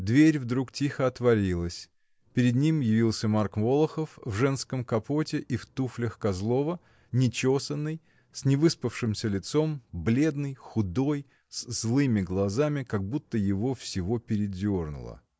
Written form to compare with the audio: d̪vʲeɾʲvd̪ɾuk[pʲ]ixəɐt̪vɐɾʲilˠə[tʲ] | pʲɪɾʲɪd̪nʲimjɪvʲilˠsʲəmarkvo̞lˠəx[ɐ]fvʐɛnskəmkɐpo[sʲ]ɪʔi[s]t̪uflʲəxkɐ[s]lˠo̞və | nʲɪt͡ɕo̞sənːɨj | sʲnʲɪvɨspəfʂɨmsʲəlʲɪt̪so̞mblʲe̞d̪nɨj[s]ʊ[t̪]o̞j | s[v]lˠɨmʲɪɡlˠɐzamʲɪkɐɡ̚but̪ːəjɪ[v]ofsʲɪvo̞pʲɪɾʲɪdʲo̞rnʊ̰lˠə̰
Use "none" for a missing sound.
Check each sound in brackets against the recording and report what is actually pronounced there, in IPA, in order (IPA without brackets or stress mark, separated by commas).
tʲ, sʲ, ə, tʲ, f, z, x, d̪, z, v